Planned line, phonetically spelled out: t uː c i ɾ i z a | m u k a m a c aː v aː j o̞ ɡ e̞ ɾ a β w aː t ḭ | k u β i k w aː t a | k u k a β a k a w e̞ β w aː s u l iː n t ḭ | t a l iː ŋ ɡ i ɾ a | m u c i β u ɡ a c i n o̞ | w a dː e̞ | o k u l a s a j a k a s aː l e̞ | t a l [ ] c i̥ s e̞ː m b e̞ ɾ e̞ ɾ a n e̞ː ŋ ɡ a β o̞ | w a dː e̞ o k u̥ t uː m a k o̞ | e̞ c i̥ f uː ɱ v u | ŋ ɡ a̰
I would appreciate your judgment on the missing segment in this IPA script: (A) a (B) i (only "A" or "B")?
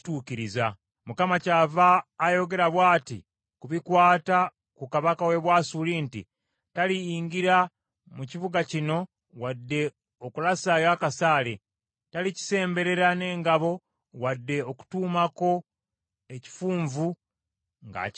B